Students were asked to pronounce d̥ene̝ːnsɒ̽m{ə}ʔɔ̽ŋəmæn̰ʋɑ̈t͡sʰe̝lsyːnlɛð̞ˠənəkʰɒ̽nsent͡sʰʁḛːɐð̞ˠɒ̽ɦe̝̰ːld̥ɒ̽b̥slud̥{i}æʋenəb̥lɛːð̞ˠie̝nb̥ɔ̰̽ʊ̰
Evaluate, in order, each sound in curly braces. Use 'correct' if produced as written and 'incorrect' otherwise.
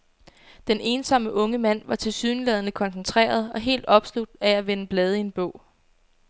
correct, incorrect: æ

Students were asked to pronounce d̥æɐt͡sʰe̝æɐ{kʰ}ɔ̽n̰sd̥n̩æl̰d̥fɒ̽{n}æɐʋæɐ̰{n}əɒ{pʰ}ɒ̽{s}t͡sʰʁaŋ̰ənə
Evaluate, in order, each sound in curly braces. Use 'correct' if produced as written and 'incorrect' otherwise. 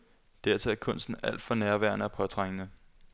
correct, correct, correct, correct, incorrect: none

